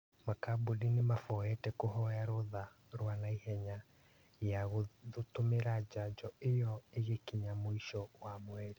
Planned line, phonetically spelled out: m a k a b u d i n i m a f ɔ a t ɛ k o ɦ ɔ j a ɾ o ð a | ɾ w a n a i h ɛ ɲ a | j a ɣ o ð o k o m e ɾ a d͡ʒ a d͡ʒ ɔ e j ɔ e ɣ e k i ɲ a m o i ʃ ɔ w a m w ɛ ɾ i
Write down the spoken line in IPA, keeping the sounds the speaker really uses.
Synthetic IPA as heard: m a k a b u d i n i m a f ɔ ɛ t ɛ k o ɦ ɔ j a ɾ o ð a | ɾ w a n a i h ɛ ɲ a | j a ɣ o ð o t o m e ɾ a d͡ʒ a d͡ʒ ɔ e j ɔ e ɣ e k i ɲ a m o i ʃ ɔ w a m w ɛ ɾ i